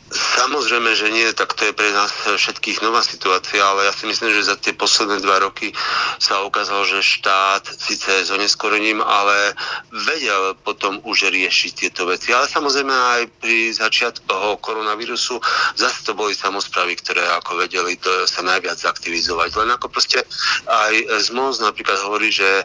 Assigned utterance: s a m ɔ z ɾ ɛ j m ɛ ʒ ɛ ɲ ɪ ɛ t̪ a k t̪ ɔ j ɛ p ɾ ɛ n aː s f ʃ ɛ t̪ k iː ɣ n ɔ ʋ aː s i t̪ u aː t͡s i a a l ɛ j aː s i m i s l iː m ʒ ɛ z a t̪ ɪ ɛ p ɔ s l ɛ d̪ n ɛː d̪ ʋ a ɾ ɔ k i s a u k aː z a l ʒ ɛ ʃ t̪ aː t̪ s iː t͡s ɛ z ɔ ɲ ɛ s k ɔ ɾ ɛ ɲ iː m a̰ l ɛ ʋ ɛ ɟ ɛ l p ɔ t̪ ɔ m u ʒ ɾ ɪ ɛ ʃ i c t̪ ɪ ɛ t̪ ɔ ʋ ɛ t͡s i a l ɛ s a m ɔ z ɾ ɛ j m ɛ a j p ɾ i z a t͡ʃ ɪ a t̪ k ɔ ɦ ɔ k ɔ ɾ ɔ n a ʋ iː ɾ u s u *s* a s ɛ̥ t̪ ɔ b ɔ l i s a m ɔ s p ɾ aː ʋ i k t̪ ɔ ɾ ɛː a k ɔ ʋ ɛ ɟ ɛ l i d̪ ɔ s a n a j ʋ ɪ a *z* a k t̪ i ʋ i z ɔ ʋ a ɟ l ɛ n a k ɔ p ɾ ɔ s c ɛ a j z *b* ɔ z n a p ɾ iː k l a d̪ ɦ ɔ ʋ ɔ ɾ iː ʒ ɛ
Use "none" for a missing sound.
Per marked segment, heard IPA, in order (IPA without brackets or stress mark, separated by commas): z, d͡z, m